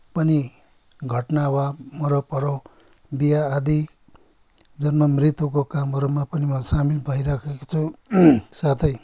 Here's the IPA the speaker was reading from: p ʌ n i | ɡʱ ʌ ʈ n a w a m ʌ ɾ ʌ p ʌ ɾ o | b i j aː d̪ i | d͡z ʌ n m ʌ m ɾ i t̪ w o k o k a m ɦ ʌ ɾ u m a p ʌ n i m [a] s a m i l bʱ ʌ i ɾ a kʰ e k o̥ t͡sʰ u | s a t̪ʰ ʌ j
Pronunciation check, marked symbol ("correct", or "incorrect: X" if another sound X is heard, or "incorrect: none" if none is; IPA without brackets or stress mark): incorrect: ʌ